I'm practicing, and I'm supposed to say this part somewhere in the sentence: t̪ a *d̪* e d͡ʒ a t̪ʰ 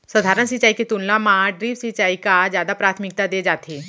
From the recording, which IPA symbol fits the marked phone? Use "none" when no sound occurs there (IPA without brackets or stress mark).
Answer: d̪